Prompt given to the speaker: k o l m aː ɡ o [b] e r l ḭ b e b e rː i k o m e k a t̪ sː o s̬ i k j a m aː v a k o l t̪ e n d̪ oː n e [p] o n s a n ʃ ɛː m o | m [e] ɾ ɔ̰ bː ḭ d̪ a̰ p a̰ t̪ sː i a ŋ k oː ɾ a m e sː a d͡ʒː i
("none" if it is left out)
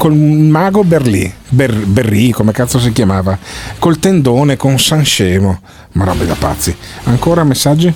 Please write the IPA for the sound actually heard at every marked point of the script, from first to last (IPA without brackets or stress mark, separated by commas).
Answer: b, k, a